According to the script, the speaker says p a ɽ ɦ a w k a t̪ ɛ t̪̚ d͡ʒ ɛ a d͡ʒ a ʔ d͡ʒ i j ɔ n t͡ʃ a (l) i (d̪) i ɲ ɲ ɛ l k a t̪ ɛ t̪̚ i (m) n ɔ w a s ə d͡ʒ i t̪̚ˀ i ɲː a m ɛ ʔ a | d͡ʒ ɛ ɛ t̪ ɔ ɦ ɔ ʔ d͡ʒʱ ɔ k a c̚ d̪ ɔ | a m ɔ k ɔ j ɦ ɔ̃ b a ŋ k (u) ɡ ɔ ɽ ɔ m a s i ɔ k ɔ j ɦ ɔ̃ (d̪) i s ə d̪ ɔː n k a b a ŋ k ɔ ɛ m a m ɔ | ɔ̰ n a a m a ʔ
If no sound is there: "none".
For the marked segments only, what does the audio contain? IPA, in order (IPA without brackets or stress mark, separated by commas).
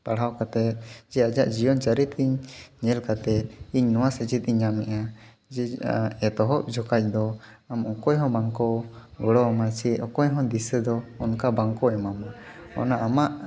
ɾ, t̪, ɲ, ɔ, d̪